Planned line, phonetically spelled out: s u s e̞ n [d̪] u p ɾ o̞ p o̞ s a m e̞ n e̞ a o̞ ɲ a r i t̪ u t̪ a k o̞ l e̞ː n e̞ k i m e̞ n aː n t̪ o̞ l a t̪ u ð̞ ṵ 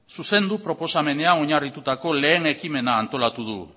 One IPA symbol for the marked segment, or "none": d̪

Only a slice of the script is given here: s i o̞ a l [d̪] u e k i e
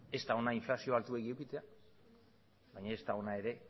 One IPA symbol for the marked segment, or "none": t̪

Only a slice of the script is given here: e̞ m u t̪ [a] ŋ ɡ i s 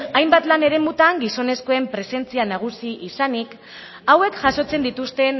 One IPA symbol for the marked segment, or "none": a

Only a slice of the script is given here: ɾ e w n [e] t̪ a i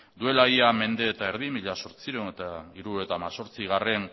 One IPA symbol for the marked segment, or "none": e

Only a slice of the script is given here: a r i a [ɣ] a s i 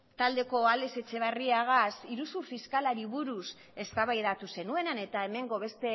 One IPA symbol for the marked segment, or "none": ɣ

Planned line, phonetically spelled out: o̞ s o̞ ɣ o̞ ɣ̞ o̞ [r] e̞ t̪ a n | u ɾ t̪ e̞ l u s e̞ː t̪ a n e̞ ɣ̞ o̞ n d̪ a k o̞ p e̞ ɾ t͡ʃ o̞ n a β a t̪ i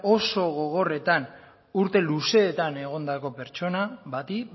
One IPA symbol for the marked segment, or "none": r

